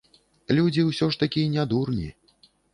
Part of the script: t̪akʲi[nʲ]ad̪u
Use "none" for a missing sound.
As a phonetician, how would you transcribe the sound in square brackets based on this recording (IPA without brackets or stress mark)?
nʲ